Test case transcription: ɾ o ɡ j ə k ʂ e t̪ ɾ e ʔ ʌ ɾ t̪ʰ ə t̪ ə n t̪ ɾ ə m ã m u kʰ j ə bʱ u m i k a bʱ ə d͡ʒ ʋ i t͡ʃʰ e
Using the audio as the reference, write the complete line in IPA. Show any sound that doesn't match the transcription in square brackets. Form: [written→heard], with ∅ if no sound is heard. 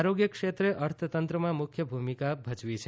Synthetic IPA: ɾ o ɡ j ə k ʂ e t̪ ɾ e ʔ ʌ ɾ t̪ʰ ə t̪ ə n t̪ ɾ ə m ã m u kʰ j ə bʱ u m i k a bʱ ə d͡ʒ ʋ i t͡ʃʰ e